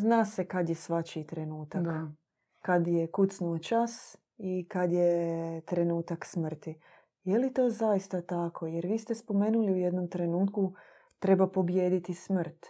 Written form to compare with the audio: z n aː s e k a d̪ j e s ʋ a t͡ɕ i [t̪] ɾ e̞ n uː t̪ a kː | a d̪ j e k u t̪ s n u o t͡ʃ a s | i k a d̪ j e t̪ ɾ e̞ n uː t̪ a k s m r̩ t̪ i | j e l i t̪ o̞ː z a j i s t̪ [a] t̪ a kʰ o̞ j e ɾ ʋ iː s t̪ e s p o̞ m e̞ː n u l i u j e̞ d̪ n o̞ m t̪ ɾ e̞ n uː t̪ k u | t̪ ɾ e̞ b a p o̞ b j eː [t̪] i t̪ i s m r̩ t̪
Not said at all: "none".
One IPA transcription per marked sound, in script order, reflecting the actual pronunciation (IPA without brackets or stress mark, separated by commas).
t̪, a, d̪